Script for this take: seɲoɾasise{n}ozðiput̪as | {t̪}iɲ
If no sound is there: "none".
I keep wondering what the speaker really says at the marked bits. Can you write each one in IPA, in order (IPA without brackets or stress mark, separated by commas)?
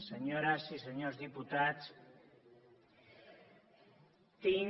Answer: ɲ, t̪